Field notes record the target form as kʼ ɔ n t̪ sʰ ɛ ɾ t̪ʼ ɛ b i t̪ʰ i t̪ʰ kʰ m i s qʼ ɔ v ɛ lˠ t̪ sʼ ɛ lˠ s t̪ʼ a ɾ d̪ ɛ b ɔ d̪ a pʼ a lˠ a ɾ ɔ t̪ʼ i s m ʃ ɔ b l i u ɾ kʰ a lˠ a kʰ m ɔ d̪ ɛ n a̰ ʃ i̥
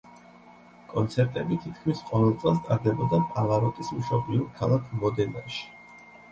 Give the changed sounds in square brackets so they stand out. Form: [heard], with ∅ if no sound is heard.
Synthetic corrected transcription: kʼ ɔ n t̪ sʰ ɛ ɾ t̪ʼ ɛ b i t̪ʰ i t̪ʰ kʰ m i s qʼ ɔ v ɛ lˠ t̪ sʼ ɛ lˠ s t̪ʼ a ɾ d̪ ɛ b ɔ d̪ a pʼ a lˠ a ɾ ɔ t̪ʼ i s m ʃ ɔ b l i u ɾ kʰ a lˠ a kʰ m ɔ d̪ ɛ n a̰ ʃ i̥

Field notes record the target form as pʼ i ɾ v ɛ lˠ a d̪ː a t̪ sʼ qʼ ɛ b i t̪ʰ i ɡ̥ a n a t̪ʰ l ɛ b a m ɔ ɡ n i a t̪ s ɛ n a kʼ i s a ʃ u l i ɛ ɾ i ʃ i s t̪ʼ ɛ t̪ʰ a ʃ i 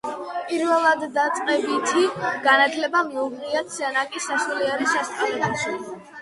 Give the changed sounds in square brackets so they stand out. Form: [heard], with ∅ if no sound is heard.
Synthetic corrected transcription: pʼ i ɾ v ɛ lˠ a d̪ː a t̪ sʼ qʼ ɛ b i t̪ʰ i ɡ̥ a n a t̪ʰ l ɛ b a m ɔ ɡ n i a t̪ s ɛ n a kʼ i s a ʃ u l i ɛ ɾ i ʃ [ɛ] s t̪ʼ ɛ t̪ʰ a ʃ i

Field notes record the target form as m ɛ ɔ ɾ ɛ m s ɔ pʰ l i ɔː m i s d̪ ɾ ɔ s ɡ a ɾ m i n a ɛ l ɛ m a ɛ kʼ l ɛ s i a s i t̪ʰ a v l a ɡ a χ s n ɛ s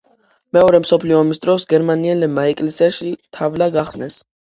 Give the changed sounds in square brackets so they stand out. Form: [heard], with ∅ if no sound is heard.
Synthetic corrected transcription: m ɛ ɔ ɾ ɛ m s ɔ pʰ l i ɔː m i s d̪ ɾ ɔ s ɡ [ɛ] ɾ m [a] n [i] ɛ l ɛ m a ɛ kʼ l ɛ s i a [ʃ] i t̪ʰ a v l a ɡ a χ s n ɛ s

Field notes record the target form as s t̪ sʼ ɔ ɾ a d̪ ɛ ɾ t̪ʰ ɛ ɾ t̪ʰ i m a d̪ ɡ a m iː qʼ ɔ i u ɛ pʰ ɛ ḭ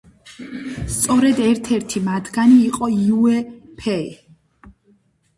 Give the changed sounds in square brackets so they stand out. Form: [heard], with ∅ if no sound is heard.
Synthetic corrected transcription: s t̪ sʼ ɔ ɾ [ɛ] d̪ ɛ ɾ t̪ʰ ɛ ɾ t̪ʰ i m a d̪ ɡ a [n] iː qʼ ɔ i u ɛ pʰ ɛ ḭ

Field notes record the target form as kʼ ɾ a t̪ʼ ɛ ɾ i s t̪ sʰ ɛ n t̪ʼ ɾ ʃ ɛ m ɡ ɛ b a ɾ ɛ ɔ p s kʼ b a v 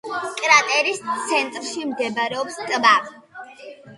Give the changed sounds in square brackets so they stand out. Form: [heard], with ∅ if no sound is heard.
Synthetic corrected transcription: kʼ ɾ a t̪ʼ ɛ ɾ i s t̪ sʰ ɛ n t̪ʼ ɾ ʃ [i] m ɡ ɛ b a ɾ ɛ ɔ p s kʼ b a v

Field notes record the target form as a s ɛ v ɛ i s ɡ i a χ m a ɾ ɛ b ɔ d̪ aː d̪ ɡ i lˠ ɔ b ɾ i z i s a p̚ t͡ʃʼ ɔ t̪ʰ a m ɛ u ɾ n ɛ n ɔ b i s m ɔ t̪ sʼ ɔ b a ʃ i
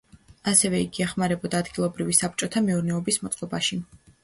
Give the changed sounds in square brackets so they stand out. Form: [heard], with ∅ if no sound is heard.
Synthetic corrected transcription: a s ɛ v ɛ i [∅] ɡ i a χ m a ɾ ɛ b ɔ d̪ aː d̪ ɡ i lˠ ɔ b ɾ i [v] i s a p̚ t͡ʃʼ ɔ t̪ʰ a m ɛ u ɾ n ɛ [∅] ɔ b i s m ɔ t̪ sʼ ɔ b a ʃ i

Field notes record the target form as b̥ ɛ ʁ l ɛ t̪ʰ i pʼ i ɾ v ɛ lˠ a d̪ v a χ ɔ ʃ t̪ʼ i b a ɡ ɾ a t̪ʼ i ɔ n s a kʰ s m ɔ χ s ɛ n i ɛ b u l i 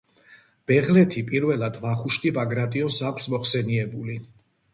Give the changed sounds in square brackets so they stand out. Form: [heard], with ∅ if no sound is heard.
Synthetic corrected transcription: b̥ ɛ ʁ l ɛ t̪ʰ i pʼ i ɾ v ɛ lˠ a d̪ v a χ [u] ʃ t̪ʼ i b a ɡ ɾ a t̪ʼ i ɔ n s a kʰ s m ɔ χ s ɛ n i ɛ b u l i

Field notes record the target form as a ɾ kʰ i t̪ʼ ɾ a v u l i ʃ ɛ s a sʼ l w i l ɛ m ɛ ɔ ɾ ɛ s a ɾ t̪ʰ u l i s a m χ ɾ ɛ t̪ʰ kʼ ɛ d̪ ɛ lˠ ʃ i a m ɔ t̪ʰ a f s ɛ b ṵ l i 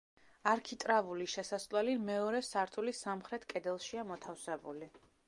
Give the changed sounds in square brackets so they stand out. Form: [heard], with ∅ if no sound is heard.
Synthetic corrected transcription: a ɾ kʰ i t̪ʼ ɾ a v u l i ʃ ɛ s a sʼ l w [ɛ] l [i] m ɛ ɔ ɾ ɛ s a ɾ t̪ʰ u l i s a m χ ɾ ɛ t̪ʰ kʼ ɛ d̪ ɛ lˠ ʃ i a m ɔ t̪ʰ a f s ɛ b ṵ l i

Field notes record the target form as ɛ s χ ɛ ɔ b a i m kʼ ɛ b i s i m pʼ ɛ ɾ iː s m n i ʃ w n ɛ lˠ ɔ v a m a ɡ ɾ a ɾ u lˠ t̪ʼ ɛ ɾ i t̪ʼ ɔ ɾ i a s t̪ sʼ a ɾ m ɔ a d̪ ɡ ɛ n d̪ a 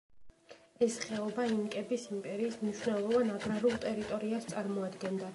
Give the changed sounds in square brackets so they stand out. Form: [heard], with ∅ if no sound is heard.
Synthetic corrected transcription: ɛ s χ ɛ ɔ b a i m kʼ ɛ b i s i m pʼ ɛ ɾ iː s m n i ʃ w n ɛ lˠ ɔ v a [n] a ɡ ɾ a ɾ u lˠ t̪ʼ ɛ ɾ i t̪ʼ ɔ ɾ i a s t̪ sʼ a ɾ m ɔ a d̪ ɡ ɛ n d̪ a

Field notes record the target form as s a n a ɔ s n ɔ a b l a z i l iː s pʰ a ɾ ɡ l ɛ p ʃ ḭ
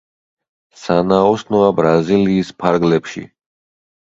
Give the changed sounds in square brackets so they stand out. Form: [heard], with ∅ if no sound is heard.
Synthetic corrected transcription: s a n a ɔ s n ɔ a b [ɾ] a z i l iː s pʰ a ɾ ɡ l ɛ p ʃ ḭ

